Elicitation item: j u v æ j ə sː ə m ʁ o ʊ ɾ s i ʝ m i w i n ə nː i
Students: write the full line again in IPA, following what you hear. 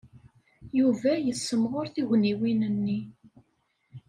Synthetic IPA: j u v æ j ə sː ə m ʁ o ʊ ɾ θ i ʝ n i w i n ə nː i